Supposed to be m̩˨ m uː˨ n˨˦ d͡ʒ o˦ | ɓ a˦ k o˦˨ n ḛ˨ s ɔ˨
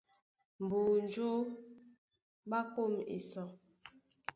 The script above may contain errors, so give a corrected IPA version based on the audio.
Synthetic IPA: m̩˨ b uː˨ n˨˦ d͡ʒ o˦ | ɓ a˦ k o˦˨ m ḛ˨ s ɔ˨